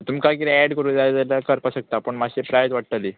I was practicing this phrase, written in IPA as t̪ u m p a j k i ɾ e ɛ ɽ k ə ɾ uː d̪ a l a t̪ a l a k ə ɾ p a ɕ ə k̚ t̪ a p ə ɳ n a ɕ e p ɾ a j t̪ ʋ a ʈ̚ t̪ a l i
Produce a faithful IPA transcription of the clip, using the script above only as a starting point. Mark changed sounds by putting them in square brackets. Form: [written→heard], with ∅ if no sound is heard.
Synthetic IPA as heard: t̪ u m [p→k] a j k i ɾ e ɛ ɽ k ə ɾ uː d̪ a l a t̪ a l a k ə ɾ p a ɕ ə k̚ t̪ a p ə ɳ [n→m] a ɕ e p ɾ a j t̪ ʋ a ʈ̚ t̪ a l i